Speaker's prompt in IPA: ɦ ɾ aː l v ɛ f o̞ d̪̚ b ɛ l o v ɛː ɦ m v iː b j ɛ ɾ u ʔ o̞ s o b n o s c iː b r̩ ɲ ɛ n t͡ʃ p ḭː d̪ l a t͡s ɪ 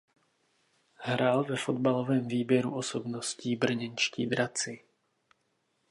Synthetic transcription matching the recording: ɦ ɾ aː l v ɛ f o̞ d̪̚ b a l o v ɛː m v iː b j ɛ ɾ u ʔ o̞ s o b n o s c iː b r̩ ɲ ɛ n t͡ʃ c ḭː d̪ ɾ a t͡s ɪ